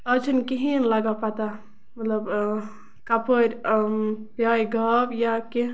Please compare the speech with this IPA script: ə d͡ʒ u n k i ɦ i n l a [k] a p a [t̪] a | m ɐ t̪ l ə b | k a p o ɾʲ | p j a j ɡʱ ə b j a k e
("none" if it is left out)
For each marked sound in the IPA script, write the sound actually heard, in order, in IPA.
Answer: ɡ, t̪

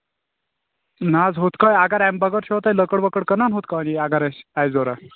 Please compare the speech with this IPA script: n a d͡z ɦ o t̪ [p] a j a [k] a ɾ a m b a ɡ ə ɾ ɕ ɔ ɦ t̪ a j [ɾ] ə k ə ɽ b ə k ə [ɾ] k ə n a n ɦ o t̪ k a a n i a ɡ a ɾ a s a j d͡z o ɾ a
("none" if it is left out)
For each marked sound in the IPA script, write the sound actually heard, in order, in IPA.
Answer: k, ɡ, l, ɽ

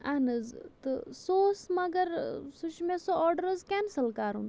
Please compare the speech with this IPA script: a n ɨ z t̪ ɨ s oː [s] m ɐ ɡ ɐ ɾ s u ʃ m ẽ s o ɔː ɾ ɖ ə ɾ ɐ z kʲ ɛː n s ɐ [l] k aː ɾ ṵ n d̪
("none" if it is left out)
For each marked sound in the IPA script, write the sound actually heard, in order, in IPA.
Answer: s, l

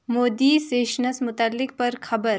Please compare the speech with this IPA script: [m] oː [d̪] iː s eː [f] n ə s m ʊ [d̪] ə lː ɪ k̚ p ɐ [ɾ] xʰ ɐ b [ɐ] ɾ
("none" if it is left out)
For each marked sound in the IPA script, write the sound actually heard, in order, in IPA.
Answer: m, d̪, ʃ, t̪, ɾ, ə

